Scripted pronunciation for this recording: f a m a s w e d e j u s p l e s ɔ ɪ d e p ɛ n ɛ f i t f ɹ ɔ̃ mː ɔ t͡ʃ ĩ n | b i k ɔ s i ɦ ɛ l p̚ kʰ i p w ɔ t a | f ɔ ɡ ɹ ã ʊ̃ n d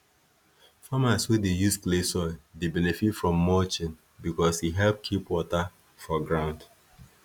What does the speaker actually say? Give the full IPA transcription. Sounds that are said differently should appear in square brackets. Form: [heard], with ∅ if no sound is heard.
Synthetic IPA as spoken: f a m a s w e d e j u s p l e s ɔ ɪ d e [b] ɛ n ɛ f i t f ɹ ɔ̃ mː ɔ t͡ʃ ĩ n | b i k ɔ s i ɦ ɛ l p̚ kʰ i p w ɔ t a | f ɔ ɡ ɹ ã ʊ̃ n d